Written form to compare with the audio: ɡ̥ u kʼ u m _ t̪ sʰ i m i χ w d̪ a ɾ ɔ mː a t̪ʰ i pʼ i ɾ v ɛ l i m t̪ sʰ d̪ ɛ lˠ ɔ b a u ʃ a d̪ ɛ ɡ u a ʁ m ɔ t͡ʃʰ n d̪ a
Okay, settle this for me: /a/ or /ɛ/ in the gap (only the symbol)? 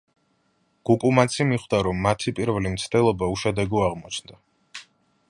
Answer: a